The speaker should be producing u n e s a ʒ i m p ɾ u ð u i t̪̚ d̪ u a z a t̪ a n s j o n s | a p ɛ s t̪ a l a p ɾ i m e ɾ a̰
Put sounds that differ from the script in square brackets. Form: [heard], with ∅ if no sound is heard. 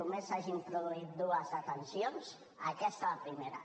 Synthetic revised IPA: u [m] e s a ʒ i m p ɾ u ð u i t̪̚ d̪ u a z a t̪ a n s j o n s | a [k] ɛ s t̪ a l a p ɾ i m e ɾ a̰